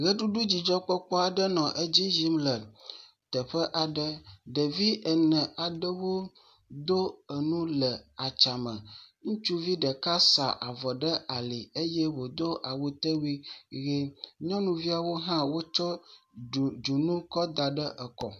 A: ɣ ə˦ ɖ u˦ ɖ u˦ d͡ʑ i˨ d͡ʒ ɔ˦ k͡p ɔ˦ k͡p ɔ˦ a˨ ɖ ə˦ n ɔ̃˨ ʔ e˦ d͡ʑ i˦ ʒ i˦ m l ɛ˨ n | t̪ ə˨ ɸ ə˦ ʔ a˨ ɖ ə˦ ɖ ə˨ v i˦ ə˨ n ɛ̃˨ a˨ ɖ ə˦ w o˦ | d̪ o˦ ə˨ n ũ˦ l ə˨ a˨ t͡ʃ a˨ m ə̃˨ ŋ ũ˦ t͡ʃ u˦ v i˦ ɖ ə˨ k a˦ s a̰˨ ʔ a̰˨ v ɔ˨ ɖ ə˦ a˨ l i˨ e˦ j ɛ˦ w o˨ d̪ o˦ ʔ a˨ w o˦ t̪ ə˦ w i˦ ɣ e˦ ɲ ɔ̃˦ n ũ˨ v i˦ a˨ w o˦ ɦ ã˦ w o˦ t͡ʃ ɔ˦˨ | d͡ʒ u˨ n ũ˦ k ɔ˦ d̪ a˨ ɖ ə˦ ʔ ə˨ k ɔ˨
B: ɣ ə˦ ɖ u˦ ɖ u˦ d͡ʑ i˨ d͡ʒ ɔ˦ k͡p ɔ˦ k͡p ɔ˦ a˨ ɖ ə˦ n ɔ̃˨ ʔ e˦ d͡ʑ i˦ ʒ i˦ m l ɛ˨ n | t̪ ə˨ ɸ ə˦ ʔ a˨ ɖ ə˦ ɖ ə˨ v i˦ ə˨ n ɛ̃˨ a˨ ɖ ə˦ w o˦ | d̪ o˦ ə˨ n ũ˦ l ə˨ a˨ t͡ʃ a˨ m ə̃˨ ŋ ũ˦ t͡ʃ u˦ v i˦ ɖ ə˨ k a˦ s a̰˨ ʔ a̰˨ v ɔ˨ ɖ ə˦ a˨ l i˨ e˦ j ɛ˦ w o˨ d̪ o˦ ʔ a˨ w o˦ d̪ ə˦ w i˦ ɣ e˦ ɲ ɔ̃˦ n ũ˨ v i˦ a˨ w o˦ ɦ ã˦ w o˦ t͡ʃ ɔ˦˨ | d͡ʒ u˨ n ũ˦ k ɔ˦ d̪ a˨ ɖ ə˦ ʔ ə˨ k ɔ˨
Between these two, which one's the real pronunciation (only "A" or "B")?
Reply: A